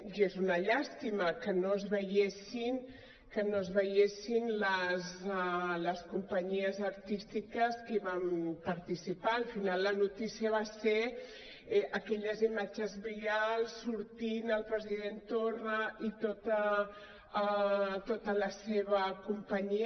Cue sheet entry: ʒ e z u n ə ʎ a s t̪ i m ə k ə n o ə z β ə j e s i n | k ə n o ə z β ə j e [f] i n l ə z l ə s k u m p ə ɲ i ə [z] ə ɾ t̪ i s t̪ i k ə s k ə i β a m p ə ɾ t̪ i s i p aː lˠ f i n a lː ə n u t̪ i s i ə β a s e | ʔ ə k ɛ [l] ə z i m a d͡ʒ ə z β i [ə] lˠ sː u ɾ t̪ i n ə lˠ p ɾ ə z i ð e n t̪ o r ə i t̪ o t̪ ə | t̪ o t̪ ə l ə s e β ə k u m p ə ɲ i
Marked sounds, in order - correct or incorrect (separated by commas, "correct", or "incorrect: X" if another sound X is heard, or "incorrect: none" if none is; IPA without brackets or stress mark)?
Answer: incorrect: s, correct, incorrect: ʎ, incorrect: a